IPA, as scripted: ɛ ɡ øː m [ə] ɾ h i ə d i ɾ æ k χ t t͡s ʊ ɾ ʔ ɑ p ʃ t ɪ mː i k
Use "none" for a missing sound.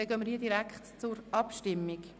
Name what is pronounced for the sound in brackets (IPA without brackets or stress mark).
ə